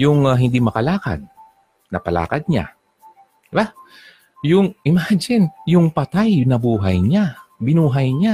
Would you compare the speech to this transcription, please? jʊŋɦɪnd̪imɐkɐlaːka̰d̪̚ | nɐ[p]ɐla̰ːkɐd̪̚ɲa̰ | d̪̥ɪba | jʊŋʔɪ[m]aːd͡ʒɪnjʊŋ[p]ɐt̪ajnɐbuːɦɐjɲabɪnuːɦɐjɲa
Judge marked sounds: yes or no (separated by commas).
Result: yes, yes, yes